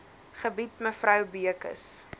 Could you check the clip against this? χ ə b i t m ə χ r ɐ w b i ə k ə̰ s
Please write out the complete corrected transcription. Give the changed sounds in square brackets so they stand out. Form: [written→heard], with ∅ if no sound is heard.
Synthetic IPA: χ ə b i t m ə [χ→f] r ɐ w b i ə k ə̰ s